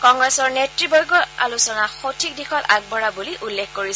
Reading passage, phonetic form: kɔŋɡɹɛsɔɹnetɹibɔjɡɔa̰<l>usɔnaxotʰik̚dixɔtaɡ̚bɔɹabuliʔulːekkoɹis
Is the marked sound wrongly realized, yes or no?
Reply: no